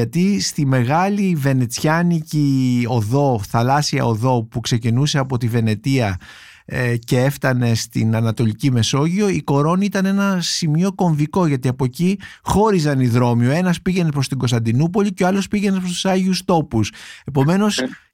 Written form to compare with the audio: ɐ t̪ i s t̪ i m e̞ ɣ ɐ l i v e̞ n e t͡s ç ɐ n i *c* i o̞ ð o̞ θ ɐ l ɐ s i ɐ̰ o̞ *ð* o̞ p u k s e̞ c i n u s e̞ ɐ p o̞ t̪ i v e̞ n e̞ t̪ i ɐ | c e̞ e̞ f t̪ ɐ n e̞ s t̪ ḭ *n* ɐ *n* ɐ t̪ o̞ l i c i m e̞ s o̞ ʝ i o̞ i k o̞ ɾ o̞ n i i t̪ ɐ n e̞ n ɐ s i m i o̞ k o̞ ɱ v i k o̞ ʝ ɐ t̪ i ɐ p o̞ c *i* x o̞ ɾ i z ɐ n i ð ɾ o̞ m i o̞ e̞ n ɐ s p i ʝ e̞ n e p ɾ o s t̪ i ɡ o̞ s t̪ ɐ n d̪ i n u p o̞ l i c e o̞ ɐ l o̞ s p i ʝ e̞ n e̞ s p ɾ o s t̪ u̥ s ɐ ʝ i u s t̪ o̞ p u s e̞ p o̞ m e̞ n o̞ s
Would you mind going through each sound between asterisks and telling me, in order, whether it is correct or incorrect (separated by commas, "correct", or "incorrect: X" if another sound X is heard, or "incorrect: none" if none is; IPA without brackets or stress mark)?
correct, correct, correct, correct, correct